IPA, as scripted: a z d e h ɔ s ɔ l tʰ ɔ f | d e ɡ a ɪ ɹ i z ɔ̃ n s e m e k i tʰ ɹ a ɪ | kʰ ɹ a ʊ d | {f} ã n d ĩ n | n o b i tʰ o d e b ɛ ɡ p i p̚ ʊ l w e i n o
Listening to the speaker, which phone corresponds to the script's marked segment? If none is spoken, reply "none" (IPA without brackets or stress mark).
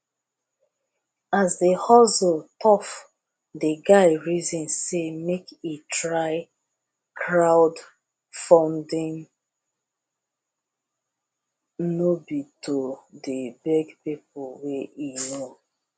f